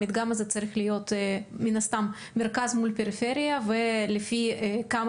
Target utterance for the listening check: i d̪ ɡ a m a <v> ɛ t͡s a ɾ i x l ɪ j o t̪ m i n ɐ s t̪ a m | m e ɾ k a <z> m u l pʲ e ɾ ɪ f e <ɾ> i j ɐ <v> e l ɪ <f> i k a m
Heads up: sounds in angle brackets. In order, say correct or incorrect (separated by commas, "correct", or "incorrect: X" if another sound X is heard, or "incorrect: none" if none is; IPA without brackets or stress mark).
incorrect: z, correct, correct, correct, correct